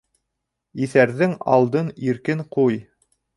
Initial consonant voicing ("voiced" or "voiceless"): voiceless